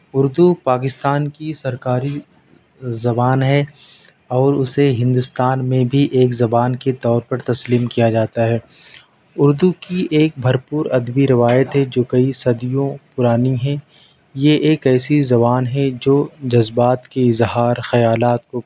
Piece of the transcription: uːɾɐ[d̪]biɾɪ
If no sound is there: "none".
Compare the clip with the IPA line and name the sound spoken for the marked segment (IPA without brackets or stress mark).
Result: d̪